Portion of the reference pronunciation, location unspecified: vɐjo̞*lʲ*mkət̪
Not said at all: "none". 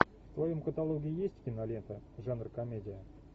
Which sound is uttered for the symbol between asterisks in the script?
none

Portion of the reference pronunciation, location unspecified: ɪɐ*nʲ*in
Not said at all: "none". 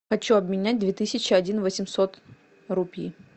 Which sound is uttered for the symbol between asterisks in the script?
dʲ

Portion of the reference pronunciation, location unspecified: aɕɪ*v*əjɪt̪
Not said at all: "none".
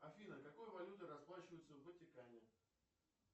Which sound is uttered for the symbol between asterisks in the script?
v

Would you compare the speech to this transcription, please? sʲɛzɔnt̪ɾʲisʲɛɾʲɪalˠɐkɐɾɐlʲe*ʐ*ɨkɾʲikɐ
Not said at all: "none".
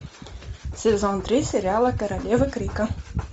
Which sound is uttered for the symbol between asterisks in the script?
v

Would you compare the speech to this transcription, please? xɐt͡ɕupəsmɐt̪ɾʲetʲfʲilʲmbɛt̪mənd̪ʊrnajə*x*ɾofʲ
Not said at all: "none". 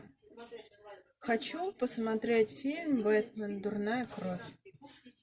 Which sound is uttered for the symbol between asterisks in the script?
k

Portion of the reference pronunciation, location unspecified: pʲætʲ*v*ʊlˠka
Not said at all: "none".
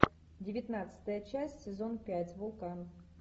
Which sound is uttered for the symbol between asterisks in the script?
v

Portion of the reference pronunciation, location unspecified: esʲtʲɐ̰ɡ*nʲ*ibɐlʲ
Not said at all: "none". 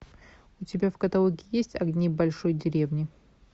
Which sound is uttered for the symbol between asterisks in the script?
nʲ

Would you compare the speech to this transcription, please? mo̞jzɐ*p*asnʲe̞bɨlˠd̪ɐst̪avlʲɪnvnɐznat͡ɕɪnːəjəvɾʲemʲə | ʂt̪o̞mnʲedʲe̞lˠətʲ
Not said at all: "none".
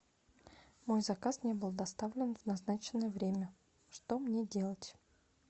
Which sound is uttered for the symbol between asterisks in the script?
k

